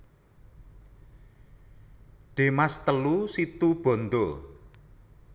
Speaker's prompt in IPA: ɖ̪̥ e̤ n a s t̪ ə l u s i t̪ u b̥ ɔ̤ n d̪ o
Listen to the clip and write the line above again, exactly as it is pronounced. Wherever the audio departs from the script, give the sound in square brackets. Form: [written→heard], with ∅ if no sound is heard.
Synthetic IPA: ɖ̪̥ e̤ [n→m] a s t̪ ə l u s i t̪ u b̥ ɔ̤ n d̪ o